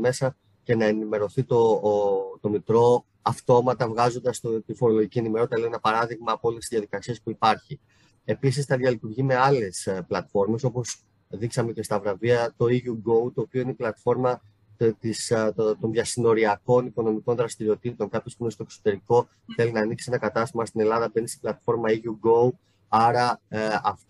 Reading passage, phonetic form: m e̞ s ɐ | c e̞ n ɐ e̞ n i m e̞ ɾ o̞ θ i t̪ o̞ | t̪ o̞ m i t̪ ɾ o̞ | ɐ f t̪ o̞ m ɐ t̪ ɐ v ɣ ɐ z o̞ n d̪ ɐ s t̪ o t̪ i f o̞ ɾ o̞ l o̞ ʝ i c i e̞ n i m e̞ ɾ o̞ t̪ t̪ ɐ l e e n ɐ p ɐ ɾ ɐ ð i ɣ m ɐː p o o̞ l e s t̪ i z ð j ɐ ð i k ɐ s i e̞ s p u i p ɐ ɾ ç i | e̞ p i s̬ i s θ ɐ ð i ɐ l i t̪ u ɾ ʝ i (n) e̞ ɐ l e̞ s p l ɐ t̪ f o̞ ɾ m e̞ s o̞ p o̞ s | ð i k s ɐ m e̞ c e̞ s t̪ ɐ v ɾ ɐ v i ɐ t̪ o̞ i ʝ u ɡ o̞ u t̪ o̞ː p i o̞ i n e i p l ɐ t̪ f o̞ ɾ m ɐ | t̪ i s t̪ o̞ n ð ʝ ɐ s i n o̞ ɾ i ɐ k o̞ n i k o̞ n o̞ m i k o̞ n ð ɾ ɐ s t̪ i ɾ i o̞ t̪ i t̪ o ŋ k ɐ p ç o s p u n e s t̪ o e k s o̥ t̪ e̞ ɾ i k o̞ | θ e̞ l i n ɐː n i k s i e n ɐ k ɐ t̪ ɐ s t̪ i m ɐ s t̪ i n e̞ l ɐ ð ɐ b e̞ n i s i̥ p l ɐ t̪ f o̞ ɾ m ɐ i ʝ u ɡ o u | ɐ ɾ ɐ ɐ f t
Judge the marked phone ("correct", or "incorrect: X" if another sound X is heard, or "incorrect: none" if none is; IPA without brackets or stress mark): incorrect: m